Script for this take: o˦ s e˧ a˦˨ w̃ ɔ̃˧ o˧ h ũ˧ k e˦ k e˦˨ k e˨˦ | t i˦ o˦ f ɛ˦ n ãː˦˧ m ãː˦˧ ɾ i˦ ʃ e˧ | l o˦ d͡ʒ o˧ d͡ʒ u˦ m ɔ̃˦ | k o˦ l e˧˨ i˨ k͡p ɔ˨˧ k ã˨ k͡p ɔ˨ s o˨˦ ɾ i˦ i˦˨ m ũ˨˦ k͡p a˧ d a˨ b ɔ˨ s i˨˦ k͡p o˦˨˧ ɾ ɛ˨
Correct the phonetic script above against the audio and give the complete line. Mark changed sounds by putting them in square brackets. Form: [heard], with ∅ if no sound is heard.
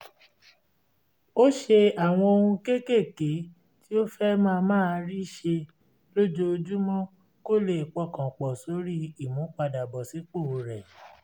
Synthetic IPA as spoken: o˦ [ʃ] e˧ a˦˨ w̃ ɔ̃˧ o˧ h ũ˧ k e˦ k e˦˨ k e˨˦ | t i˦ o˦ f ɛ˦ [m] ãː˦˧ m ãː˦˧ ɾ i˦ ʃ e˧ | l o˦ d͡ʒ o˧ d͡ʒ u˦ m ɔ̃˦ | k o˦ l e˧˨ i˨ k͡p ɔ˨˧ k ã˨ k͡p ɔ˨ s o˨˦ ɾ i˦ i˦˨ m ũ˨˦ k͡p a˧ d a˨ b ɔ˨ s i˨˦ k͡p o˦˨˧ ɾ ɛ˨